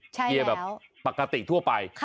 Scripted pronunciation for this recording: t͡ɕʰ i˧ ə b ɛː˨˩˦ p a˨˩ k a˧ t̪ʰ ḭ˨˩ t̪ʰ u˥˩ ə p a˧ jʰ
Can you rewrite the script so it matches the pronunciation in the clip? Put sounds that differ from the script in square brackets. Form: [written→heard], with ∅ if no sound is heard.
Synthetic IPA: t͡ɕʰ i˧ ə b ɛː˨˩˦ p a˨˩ k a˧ [t̪ʰ→t̪] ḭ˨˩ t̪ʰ u˥˩ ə p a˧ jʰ